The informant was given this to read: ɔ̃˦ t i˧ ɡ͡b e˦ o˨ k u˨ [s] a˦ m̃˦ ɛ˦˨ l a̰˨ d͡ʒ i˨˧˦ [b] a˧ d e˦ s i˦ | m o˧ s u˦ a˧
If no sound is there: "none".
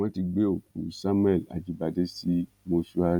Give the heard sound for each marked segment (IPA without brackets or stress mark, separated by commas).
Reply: s, b